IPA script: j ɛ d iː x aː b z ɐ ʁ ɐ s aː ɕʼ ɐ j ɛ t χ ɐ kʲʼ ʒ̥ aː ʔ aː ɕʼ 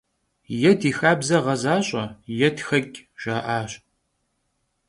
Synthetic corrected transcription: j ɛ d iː x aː b z ɐ ʁ ɐ z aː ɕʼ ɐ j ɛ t x ɐ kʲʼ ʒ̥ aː ʔ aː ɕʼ